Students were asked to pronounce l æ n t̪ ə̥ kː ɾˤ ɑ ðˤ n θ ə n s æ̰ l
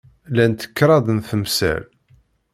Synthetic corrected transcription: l æ n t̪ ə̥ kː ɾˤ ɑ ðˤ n θ ə m s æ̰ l